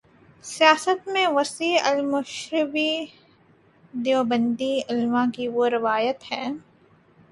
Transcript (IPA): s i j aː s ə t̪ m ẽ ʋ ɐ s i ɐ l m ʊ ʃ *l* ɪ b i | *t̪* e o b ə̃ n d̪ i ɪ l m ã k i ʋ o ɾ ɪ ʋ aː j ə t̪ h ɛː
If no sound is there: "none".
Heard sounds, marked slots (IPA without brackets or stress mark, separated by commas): ɾ, d̪